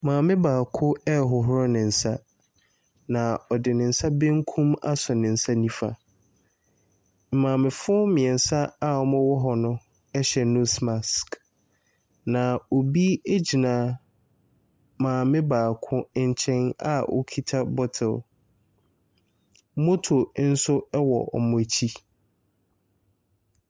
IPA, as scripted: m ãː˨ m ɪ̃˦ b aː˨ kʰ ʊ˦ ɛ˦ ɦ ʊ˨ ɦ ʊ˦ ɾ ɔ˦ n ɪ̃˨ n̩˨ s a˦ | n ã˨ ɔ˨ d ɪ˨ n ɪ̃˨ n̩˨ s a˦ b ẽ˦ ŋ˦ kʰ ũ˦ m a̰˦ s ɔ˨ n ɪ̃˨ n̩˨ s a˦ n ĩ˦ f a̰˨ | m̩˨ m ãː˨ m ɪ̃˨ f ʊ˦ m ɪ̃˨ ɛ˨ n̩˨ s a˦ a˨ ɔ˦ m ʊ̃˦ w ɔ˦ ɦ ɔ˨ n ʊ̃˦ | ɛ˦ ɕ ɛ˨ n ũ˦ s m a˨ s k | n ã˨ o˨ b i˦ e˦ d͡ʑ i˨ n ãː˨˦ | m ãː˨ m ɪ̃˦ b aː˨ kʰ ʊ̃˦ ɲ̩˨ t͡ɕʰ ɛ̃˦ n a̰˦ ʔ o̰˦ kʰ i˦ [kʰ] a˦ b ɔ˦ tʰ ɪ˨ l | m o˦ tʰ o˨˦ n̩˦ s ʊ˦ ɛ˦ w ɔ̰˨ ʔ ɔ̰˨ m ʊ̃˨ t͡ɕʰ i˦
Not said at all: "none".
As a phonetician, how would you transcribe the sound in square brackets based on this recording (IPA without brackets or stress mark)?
tʰ